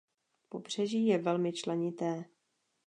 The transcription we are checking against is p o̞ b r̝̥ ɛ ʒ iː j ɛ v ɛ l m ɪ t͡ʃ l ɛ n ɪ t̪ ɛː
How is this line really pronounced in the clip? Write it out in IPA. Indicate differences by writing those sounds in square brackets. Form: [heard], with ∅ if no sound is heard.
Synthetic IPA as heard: p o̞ b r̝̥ ɛ ʒ iː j ɛ v ɛ l m ɪ t͡ʃ l ɛ [ɲ] ɪ t̪ ɛː